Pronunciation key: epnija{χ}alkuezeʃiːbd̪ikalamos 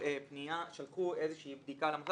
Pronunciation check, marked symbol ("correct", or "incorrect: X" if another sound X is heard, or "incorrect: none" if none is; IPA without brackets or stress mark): incorrect: ʃ